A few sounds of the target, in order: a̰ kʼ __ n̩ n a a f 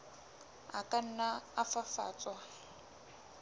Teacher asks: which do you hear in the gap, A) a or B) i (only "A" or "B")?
A